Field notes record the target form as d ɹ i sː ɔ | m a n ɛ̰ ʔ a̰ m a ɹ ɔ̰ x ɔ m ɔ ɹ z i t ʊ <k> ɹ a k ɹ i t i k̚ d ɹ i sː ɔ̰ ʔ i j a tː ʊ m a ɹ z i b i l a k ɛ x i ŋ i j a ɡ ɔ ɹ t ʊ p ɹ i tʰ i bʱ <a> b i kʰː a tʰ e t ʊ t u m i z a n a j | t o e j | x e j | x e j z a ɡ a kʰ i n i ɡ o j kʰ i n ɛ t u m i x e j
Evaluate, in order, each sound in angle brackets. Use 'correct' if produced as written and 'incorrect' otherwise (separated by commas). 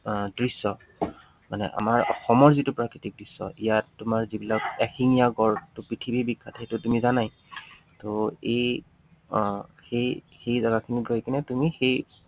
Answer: incorrect, incorrect